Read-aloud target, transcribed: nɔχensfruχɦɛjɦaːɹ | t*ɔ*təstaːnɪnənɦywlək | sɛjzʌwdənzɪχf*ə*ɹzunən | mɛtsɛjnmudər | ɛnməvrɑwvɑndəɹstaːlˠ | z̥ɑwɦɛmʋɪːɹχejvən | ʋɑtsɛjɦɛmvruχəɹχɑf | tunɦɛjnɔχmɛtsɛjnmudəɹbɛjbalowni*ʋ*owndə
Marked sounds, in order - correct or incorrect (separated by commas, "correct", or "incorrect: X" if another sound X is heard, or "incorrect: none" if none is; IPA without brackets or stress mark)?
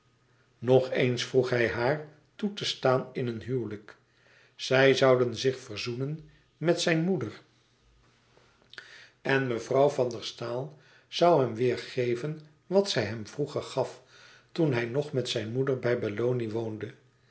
incorrect: u, correct, correct